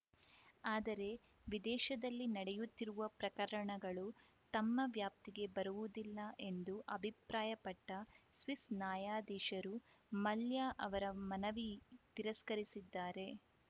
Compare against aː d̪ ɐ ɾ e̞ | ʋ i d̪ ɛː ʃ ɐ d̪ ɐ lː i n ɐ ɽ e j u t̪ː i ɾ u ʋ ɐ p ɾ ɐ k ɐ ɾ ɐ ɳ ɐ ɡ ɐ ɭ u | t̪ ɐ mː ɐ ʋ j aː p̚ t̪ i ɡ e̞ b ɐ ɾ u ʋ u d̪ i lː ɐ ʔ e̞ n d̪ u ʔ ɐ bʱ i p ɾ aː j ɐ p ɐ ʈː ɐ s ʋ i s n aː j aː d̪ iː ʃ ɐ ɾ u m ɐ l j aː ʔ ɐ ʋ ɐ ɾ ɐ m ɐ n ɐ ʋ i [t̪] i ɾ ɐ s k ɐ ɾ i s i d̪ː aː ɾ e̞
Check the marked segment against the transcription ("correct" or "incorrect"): correct